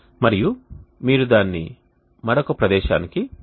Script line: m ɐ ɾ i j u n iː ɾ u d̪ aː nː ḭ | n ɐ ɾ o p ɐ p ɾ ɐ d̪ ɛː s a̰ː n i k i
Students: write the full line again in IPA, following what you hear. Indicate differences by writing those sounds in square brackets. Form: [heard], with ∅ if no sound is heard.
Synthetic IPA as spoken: m ɐ ɾ i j u [m] iː ɾ u d̪ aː nː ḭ | [m] ɐ ɾ o [k] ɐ p ɾ ɐ d̪ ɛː [ʃ] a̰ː n i k i